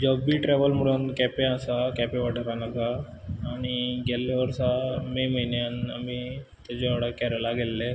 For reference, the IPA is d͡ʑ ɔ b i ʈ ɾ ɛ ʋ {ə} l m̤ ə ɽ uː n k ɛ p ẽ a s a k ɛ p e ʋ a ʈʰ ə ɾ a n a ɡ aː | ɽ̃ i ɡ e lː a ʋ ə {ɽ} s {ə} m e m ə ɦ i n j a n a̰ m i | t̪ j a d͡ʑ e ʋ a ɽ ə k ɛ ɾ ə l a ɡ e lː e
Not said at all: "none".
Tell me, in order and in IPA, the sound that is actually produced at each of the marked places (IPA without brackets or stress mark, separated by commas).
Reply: ə, ɾ, a